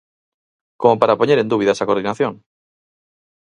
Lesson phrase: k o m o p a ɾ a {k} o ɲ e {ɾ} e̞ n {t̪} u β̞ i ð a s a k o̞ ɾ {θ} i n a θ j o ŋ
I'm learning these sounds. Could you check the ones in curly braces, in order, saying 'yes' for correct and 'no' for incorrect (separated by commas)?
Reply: no, yes, no, no